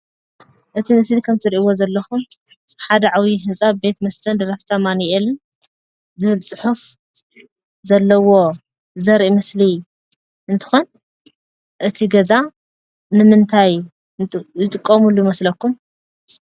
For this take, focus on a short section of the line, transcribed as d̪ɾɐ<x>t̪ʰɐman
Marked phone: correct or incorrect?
incorrect